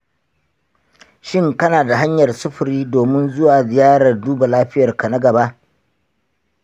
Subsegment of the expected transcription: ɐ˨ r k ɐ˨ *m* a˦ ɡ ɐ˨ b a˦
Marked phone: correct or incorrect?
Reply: incorrect